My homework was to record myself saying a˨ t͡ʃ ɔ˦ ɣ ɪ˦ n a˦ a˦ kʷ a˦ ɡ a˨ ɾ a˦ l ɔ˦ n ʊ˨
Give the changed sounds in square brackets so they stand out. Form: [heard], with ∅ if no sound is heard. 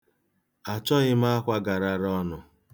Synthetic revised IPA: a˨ t͡ʃ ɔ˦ ɣ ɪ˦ [m] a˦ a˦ kʷ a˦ ɡ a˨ ɾ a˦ [ɾ] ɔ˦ n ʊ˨